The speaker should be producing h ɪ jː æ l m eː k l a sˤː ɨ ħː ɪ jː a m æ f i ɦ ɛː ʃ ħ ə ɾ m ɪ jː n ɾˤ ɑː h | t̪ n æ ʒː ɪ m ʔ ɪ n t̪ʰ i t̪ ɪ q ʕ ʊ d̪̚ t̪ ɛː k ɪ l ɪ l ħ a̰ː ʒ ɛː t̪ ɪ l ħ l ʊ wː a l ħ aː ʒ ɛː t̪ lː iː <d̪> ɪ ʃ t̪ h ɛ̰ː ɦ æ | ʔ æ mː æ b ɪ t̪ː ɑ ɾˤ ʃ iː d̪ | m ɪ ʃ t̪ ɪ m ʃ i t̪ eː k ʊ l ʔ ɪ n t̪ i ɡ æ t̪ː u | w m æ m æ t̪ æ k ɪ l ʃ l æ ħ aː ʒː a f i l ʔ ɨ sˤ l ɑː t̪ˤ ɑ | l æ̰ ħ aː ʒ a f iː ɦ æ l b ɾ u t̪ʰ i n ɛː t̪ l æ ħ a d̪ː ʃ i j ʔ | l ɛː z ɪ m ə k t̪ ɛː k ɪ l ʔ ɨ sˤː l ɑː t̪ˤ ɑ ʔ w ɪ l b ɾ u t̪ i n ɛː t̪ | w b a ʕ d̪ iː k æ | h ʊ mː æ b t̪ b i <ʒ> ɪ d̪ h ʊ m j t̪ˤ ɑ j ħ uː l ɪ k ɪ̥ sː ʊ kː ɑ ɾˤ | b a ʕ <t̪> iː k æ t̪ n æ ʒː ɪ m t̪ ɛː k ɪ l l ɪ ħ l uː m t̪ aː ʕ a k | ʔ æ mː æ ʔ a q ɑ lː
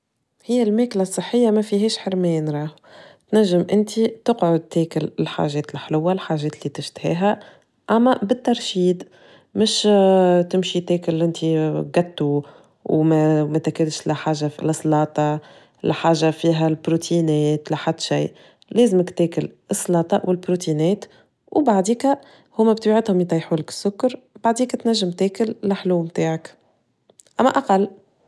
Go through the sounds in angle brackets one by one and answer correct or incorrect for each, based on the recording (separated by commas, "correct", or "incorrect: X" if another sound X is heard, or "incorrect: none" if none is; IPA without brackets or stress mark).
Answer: incorrect: t̪, incorrect: ʕ, incorrect: d̪